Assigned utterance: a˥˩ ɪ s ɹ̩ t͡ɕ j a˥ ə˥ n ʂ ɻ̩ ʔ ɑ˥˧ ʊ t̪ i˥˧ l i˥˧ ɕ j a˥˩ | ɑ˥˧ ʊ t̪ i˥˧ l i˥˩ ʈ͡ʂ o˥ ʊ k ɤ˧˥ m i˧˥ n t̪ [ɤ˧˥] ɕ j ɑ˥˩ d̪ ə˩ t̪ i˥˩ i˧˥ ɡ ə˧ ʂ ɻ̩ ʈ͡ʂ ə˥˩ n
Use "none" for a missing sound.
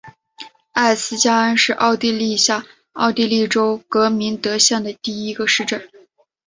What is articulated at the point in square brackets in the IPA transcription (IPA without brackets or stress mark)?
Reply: ɤ˧˥